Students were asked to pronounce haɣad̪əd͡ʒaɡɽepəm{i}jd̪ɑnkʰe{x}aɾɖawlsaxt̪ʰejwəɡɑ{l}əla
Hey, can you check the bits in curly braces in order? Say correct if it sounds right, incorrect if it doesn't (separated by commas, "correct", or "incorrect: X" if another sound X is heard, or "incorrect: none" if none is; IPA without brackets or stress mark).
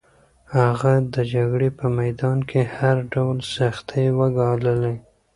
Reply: incorrect: a, incorrect: h, correct